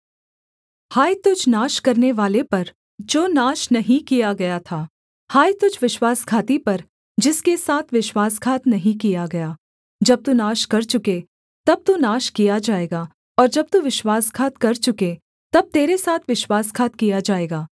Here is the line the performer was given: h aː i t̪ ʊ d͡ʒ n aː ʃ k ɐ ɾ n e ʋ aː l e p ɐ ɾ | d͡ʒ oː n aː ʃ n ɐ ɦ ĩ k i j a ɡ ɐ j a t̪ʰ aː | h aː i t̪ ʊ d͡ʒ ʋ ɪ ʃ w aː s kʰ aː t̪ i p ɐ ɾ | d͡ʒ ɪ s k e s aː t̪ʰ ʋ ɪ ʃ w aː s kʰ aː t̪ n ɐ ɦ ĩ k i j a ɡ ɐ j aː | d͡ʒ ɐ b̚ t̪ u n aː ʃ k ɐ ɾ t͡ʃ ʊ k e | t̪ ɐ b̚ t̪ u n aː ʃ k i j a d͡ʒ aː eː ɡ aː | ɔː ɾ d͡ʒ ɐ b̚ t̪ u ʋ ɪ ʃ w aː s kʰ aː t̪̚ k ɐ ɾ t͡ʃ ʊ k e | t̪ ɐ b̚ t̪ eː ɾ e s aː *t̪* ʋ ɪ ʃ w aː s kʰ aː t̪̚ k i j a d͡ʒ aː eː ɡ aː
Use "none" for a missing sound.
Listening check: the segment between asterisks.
t̪ʰ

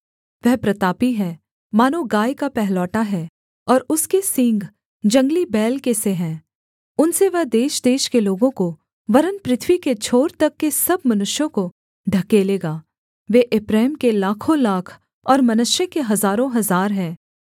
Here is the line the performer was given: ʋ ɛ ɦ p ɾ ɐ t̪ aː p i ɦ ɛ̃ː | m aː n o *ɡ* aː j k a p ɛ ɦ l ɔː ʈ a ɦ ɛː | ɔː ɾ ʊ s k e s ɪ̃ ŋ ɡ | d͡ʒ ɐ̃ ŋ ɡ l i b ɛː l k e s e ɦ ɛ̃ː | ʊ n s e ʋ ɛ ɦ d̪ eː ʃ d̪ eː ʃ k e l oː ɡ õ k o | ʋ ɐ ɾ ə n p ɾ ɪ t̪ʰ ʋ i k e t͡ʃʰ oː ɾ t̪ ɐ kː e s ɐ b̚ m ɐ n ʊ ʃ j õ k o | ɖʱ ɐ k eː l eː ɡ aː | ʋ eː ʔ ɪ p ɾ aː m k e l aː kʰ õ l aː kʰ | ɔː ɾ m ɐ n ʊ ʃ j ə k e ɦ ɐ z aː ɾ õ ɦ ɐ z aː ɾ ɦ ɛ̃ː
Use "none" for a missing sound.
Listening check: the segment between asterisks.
ɡ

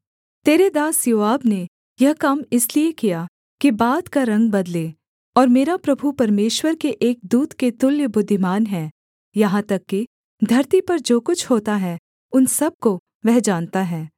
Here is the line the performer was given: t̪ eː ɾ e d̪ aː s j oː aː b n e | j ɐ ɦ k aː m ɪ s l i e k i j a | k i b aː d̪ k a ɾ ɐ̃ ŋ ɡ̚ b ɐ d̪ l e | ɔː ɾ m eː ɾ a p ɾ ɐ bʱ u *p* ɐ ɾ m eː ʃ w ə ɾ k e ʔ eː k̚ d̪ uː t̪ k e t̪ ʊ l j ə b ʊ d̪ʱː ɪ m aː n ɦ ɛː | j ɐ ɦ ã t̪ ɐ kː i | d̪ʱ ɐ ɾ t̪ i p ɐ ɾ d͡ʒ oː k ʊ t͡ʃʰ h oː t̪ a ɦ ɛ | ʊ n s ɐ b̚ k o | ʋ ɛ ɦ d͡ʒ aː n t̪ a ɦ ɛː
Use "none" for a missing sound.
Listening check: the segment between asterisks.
p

